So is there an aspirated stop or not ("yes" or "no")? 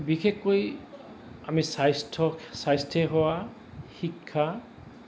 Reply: yes